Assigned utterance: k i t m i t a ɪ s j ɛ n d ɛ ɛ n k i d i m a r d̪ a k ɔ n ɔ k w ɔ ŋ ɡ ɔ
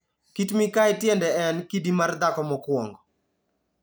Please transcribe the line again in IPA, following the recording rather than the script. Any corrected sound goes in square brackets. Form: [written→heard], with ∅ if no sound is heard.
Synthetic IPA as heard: k i t m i [t→k] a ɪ [s→t] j ɛ n d ɛ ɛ n k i d i m a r d̪ a k ɔ [n→m] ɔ k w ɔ ŋ ɡ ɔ